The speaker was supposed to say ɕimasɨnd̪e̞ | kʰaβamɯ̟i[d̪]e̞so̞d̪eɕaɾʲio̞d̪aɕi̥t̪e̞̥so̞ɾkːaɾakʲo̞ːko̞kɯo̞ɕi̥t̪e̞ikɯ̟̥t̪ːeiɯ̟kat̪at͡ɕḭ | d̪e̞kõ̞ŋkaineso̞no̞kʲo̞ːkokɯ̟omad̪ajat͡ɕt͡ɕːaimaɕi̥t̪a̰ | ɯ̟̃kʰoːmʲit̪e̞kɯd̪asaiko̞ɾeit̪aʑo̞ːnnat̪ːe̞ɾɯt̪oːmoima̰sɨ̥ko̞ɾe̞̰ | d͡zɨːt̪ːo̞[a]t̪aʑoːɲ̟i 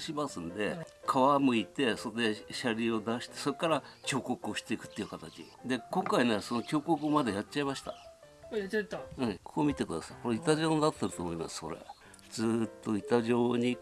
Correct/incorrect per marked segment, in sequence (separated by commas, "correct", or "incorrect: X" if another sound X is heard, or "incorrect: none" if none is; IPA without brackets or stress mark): incorrect: t̪, incorrect: i